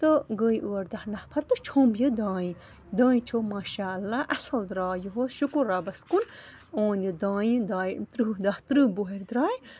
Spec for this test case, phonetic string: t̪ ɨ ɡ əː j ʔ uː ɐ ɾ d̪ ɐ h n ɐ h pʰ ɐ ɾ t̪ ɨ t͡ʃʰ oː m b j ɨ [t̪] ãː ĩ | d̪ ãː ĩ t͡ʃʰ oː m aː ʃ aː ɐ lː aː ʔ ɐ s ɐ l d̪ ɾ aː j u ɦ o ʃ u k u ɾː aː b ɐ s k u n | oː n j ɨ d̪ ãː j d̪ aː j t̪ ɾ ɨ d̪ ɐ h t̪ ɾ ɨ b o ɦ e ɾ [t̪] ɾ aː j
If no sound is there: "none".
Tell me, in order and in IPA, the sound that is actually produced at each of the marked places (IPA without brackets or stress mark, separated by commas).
d̪, d̪